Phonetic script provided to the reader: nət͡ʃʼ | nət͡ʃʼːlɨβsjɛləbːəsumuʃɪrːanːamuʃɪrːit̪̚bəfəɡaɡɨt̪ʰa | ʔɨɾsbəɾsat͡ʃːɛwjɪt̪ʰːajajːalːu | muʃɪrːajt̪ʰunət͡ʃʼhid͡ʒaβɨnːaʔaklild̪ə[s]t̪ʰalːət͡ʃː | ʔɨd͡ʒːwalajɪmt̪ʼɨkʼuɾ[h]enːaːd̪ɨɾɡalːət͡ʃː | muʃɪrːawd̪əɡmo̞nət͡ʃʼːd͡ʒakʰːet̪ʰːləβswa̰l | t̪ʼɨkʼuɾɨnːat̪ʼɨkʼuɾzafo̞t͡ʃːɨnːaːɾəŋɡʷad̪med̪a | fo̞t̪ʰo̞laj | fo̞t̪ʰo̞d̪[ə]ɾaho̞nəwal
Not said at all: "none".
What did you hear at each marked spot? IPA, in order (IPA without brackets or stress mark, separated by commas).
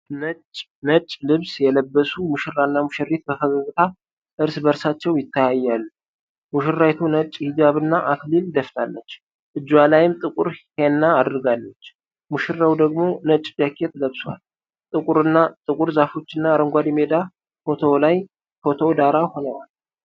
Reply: f, h, a